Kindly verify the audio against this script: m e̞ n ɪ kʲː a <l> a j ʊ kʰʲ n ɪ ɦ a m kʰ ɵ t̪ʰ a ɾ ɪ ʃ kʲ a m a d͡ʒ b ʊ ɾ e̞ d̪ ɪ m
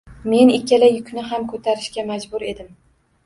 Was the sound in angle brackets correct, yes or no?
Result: yes